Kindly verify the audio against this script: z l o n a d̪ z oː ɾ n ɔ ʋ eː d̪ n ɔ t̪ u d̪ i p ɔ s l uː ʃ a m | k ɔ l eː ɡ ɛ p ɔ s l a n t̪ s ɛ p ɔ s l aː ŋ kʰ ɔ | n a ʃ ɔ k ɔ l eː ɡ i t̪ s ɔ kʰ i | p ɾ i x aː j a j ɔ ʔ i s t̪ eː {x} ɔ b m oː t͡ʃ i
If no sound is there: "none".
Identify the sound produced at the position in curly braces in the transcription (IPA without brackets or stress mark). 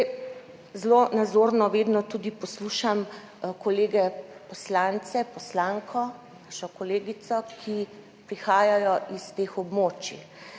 x